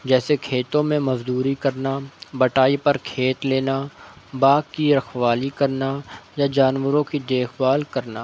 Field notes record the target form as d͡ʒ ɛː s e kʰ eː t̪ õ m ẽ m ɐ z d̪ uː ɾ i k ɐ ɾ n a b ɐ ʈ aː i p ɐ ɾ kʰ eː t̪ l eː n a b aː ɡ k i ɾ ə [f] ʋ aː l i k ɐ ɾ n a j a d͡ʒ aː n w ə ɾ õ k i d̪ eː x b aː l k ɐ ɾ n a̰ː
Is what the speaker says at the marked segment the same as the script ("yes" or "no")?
no